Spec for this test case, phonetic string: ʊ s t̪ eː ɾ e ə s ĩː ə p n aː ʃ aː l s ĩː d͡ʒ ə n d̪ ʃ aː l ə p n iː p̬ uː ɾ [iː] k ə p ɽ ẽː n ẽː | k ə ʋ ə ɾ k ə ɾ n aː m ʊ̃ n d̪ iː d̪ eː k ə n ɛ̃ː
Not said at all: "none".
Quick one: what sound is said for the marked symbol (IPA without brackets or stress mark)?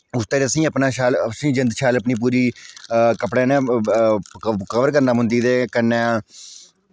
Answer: iː